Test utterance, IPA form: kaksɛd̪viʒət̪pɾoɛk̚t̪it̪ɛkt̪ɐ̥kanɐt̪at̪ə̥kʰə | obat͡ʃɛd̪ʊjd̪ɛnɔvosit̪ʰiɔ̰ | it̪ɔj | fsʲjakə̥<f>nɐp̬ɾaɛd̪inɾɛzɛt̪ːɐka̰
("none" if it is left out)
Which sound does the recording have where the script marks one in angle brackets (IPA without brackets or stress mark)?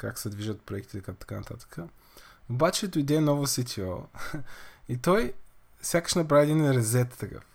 ʃ